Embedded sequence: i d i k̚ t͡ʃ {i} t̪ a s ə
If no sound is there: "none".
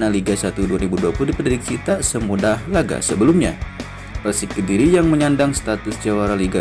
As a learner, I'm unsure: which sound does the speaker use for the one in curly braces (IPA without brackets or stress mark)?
i